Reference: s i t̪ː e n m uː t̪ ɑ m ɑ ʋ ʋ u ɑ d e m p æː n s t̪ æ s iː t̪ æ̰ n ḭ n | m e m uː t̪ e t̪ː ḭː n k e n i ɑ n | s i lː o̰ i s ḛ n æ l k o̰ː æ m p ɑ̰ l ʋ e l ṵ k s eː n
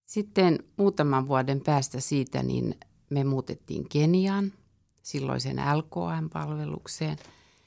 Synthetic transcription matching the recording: s i t̪ː e n m uː t̪ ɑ m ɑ ʋ ʋ u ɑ d e m p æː s t̪ æ s iː t̪ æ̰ n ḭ n | m e m uː t̪ e t̪ː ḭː ŋ k e n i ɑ n | s i lː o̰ i s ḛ n æ l k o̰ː æ m p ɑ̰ l ʋ e l ṵ k s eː n